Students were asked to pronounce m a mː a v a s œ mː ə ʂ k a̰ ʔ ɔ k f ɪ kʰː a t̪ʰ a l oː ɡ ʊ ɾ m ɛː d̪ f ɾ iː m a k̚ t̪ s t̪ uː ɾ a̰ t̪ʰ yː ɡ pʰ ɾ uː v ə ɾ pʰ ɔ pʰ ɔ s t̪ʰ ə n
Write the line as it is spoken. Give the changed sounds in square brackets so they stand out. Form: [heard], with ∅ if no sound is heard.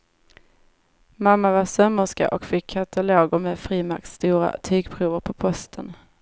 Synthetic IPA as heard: m a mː a v a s œ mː ə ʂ k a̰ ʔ ɔ k f ɪ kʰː a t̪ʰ a l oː ɡ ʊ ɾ m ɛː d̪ f ɾ iː m a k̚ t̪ s t̪ uː ɾ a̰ t̪ʰ yː ɡ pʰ ɾ uː v ə ɾ pʰ ɔ pʰ ɔ s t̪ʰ ə n